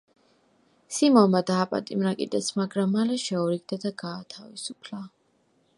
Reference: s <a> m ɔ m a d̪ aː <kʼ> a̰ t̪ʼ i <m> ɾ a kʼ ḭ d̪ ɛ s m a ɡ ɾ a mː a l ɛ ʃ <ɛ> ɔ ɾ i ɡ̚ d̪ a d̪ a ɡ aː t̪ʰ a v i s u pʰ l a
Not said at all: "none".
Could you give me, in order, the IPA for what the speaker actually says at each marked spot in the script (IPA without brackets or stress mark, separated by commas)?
i, pʼ, m, ɛ